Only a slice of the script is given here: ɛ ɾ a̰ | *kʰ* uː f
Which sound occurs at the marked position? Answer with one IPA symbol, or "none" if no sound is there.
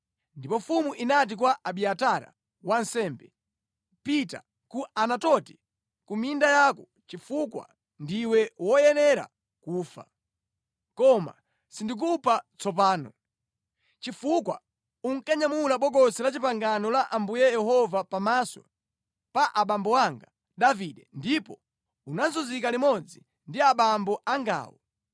k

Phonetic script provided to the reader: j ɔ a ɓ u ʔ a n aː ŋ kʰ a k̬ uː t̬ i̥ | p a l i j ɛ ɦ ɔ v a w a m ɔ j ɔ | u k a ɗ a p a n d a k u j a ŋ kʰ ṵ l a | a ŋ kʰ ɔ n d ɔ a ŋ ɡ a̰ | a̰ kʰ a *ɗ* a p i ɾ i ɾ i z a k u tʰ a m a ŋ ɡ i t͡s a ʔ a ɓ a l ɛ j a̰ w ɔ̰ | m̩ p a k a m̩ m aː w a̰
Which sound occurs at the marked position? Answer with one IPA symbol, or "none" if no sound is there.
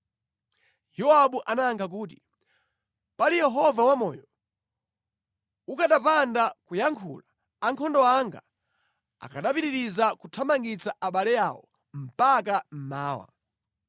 ɗ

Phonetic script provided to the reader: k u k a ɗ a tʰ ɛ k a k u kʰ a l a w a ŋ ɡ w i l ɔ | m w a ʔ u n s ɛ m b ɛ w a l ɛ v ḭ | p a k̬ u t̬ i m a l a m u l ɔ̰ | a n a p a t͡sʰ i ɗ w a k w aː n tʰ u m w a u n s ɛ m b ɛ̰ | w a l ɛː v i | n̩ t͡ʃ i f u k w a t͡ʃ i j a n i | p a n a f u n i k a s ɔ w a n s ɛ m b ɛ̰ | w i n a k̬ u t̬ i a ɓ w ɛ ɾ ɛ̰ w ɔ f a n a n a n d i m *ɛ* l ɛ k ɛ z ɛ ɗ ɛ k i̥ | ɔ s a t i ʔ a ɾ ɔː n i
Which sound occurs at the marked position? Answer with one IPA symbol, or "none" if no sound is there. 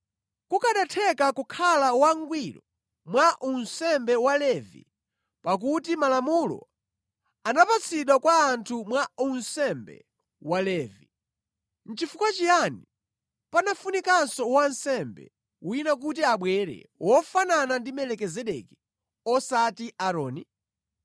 ɛ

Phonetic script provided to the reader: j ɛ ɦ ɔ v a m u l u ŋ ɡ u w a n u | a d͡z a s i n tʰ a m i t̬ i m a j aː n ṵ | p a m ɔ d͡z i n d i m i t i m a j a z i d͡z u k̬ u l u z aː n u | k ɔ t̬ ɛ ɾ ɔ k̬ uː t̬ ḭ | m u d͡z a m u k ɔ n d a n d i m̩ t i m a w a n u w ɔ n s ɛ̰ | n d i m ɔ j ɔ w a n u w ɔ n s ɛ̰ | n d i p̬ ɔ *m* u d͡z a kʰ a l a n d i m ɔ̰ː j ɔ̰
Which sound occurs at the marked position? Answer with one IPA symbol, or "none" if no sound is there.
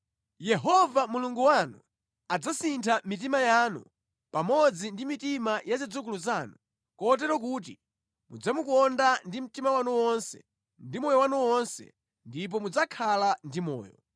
m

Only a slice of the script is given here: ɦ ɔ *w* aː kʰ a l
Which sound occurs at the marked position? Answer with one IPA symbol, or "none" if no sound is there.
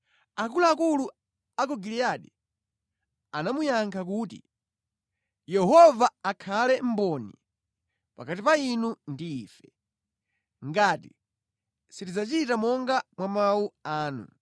v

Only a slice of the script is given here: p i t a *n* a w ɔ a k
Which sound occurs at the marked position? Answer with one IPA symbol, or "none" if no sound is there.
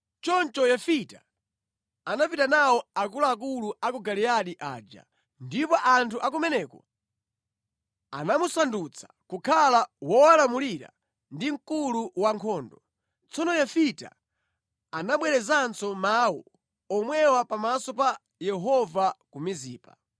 n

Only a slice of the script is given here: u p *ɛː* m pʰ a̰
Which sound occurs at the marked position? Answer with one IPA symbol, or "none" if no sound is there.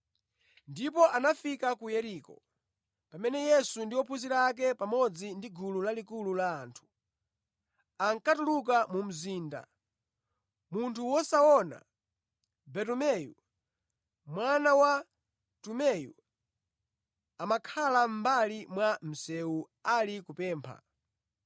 ɛː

